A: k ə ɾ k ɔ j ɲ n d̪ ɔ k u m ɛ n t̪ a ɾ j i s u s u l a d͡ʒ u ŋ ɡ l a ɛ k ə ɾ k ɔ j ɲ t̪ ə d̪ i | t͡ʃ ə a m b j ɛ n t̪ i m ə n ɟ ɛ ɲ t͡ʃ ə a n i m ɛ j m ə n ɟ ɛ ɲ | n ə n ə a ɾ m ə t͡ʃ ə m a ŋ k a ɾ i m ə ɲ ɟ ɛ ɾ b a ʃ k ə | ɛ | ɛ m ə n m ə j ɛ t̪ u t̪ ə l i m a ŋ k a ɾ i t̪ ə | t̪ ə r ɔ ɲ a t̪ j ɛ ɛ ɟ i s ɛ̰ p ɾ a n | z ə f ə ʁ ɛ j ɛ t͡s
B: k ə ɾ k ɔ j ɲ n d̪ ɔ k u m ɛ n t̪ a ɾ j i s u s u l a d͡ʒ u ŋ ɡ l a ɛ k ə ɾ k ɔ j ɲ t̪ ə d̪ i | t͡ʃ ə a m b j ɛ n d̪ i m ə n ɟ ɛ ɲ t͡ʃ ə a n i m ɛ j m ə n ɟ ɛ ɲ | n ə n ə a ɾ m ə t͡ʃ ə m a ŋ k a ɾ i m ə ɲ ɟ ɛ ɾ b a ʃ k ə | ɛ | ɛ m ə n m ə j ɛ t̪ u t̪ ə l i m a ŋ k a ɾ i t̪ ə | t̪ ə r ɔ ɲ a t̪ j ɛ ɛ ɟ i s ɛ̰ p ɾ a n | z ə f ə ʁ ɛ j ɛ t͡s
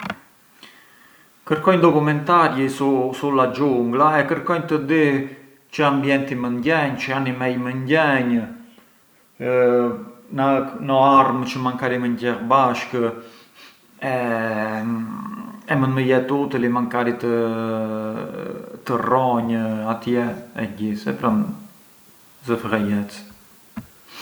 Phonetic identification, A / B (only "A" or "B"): A